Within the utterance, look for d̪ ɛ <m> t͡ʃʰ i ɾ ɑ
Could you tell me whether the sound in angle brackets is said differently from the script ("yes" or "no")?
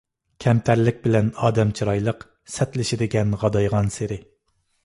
no